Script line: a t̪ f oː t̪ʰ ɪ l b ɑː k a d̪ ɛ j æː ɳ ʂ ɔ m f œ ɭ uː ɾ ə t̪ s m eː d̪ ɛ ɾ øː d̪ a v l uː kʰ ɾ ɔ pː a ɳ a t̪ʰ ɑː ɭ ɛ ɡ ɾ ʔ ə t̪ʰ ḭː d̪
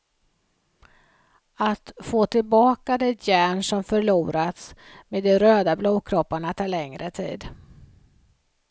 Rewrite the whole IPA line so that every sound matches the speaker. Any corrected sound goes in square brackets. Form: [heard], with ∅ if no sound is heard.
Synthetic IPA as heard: a t̪ f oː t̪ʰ ɪ l b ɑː k a d̪ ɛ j æː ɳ ʂ ɔ m f œ ɭ uː ɾ [a] t̪ s m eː d̪ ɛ ɾ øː d̪ a [b] l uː kʰ ɾ ɔ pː a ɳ a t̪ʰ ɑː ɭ ɛ [ŋ] ɾ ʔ ə t̪ʰ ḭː d̪